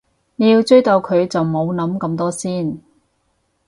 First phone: n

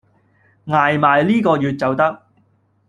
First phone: ŋ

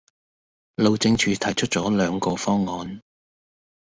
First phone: l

